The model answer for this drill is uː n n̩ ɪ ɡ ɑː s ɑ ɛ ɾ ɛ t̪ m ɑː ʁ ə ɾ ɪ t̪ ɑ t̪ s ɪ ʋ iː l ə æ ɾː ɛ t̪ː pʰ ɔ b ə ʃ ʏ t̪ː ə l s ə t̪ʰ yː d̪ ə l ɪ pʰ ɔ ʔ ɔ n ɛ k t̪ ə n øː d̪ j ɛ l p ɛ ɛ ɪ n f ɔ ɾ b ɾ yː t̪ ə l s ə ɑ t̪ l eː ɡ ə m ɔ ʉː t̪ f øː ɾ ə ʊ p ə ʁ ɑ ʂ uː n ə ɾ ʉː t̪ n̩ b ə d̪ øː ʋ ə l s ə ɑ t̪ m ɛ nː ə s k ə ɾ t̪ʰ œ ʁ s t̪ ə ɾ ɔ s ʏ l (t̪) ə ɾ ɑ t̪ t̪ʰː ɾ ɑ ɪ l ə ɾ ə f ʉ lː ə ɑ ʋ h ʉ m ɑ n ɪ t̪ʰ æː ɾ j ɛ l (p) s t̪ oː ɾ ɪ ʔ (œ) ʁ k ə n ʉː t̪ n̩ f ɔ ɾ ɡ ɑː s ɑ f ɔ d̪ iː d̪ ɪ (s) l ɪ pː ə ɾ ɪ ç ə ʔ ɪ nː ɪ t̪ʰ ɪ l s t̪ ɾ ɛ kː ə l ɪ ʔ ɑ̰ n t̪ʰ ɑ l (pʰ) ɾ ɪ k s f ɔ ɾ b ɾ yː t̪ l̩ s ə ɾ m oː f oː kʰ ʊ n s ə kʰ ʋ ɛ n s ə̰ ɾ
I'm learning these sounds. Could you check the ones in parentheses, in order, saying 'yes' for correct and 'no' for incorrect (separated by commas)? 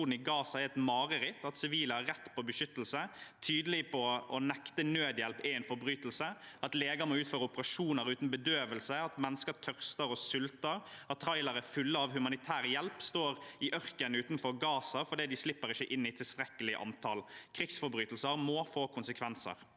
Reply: yes, yes, yes, yes, no